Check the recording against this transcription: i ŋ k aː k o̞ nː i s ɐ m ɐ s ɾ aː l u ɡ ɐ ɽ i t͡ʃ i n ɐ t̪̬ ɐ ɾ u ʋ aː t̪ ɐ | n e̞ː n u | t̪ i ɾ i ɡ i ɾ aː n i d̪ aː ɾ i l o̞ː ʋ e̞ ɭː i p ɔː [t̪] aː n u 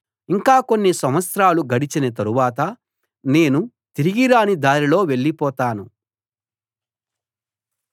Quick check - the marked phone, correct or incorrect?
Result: correct